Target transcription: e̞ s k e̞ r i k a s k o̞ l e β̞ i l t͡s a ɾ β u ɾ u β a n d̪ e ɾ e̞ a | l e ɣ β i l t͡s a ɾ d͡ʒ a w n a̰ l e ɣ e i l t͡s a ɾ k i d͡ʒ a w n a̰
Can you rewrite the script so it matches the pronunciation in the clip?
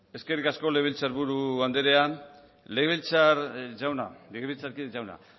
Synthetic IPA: e̞ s k e̞ r i k a s k o̞ l e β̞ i l t͡s a ɾ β u ɾ u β a n d̪ e ɾ e̞ a | l e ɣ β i l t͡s a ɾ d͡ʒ a w n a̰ l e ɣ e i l t͡s a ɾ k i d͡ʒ a w n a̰